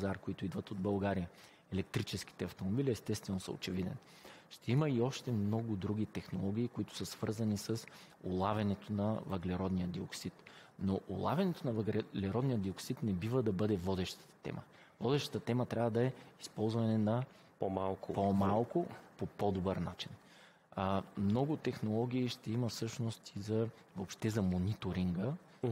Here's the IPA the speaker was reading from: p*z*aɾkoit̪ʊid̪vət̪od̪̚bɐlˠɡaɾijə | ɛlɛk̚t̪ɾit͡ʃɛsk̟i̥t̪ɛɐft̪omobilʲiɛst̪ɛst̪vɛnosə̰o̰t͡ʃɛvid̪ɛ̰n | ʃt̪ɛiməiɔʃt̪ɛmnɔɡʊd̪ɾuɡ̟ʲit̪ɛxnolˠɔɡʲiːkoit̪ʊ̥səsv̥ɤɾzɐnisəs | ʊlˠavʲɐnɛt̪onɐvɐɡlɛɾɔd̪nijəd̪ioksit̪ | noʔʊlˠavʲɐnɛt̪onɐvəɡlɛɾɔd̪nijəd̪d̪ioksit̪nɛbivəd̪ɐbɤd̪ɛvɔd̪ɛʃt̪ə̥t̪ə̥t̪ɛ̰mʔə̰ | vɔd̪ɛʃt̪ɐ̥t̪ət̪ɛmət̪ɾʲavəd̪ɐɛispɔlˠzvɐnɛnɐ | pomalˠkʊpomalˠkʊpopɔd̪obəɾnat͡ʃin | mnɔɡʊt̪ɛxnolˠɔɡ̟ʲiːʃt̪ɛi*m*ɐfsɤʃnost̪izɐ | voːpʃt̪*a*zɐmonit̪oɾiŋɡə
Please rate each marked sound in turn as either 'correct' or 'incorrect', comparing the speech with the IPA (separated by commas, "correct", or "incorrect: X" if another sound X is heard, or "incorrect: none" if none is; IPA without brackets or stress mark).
correct, correct, incorrect: ɛ